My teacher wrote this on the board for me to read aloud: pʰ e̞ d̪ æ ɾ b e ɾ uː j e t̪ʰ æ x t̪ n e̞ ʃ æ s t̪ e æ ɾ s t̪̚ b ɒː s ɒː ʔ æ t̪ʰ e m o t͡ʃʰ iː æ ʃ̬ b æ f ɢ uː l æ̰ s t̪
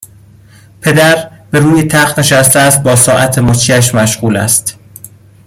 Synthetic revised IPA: pʰ e̞ d̪ æ ɾ b e ɾ uː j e t̪ʰ æ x t̪ n e̞ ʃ æ s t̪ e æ s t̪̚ b ɒː s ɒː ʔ æ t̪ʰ e m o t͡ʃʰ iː æ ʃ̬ m æ ʃ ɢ uː l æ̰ s t̪